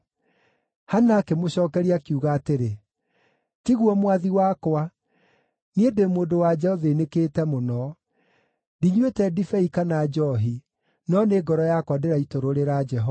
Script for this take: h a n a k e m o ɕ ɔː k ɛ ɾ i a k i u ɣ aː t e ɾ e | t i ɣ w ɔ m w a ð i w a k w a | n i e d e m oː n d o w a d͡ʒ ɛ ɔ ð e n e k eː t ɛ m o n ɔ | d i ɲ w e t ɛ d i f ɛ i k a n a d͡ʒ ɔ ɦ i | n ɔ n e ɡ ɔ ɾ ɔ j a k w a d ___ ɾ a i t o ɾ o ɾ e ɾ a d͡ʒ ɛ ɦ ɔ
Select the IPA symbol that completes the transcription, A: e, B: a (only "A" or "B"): A